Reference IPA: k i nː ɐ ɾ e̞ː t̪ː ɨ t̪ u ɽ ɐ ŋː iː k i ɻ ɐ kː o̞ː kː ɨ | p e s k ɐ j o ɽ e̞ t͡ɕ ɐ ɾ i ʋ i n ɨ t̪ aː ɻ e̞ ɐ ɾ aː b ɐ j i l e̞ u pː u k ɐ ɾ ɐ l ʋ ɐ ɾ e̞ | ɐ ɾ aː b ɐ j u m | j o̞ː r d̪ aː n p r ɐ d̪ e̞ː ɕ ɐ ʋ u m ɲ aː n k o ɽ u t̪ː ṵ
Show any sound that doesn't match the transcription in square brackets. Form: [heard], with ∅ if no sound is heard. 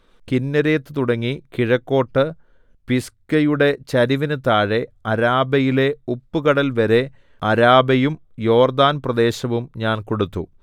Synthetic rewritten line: k i nː ɐ ɾ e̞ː t̪ː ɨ t̪ u ɽ ɐ ŋː [i] k i ɻ ɐ kː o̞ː [ʈː] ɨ | p [i] s k ɐ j [u] ɽ e̞ t͡ɕ ɐ ɾ i ʋ i n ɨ t̪ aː ɻ e̞ ɐ ɾ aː b ɐ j i l e̞ u pː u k ɐ [ɽ] ɐ l ʋ ɐ ɾ e̞ | ɐ ɾ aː b ɐ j u m | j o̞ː r d̪ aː n p r ɐ d̪ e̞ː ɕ ɐ ʋ u m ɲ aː n k o ɽ u t̪ː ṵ